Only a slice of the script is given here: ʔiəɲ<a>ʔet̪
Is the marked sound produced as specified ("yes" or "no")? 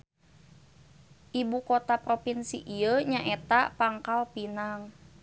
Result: yes